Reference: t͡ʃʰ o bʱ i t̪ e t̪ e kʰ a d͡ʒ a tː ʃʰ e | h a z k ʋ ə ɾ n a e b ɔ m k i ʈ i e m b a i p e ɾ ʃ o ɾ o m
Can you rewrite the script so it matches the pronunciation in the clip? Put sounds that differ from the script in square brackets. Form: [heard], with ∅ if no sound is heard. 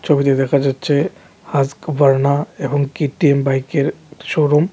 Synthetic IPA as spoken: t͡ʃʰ o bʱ i t̪ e [d̪] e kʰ a d͡ʒ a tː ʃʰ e | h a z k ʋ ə ɾ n a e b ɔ [ŋ] k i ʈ i e m b a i [k] e ɾ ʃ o ɾ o m